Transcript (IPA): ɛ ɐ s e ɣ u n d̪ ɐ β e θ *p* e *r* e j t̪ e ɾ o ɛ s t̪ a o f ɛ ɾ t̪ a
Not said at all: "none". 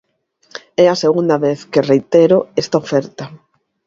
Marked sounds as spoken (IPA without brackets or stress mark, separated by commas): k, r